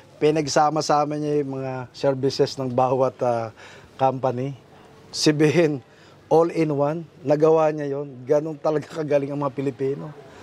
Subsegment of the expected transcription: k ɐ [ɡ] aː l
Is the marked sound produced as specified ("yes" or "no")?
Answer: yes